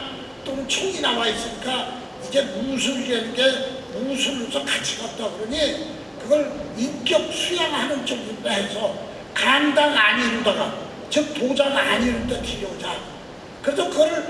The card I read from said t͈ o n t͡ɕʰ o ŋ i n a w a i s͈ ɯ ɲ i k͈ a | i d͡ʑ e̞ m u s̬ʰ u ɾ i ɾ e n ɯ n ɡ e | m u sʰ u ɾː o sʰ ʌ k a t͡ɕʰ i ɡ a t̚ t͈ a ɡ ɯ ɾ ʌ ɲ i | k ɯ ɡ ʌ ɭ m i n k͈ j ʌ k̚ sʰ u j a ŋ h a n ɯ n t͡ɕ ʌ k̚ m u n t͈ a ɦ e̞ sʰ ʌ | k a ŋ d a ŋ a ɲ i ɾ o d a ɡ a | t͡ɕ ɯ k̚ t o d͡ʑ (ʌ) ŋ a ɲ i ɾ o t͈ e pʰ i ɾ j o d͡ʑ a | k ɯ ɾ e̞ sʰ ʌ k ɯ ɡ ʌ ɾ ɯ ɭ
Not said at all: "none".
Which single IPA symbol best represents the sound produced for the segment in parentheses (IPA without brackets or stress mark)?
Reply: a